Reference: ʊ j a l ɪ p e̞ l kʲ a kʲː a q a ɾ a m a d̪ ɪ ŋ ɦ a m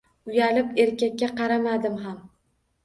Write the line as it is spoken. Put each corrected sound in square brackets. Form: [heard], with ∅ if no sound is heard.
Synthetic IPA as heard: ʊ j a l ɪ p e̞ [ɾ] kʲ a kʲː a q [ɑ] ɾ a m a d̪ ɪ [m] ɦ a m